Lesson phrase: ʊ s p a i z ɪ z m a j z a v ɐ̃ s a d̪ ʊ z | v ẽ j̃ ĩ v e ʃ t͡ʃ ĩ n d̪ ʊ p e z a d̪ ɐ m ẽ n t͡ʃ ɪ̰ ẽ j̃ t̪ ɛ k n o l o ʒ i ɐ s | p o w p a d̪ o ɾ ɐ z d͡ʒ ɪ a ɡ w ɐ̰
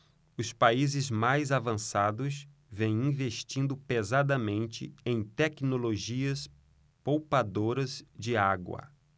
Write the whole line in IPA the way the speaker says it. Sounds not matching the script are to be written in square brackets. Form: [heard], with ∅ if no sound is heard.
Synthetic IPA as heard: ʊ s p a i z ɪ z m a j z a v ɐ̃ s a d̪ ʊ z | v ẽ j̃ ĩ v e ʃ t͡ʃ ĩ n d̪ ʊ p e z a d̪ ɐ m ẽ n t͡ʃ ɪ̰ ẽ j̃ t̪ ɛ k n o l o ʒ i ɐ s | p o w p a d̪ o ɾ ɐ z d͡ʒ ɪ a ɡ w ɐ̰